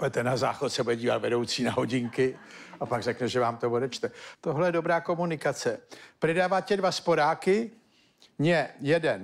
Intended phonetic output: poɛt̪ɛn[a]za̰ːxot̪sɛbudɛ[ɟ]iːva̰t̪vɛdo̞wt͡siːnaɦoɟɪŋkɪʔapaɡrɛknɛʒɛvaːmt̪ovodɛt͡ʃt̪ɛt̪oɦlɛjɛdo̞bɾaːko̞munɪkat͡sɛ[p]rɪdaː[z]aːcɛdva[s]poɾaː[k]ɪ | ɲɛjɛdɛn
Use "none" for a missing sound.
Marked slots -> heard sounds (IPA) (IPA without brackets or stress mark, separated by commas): a, ɟ, p, v, s, k